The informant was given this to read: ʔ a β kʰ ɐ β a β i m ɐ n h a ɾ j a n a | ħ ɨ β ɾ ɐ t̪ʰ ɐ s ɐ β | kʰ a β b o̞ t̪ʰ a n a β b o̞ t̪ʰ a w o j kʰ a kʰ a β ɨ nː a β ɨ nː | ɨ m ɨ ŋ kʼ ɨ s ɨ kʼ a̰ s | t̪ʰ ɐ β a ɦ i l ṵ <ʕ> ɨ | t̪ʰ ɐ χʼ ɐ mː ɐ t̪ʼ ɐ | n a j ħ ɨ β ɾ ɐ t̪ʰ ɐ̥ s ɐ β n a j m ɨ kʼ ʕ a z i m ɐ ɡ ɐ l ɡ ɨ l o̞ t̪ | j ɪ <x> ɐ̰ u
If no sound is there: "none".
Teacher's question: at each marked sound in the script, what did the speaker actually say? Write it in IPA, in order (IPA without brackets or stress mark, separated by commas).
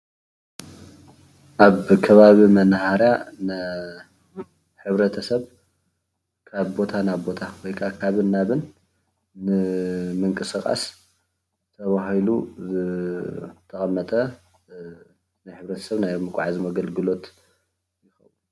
z, x